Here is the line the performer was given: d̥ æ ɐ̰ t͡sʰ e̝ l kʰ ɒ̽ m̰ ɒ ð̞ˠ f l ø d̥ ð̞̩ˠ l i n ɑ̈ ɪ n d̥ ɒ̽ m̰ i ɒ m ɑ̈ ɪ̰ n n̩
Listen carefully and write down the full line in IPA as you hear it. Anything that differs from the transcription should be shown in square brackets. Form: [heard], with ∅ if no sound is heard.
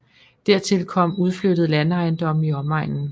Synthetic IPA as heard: d̥ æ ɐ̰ t͡sʰ e̝ l kʰ ɒ̽ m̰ [u] ð̞ˠ f l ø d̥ ð̞̩ˠ l [æ] n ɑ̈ ɪ n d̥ ɒ̽ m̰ i ɒ m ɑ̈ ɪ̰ n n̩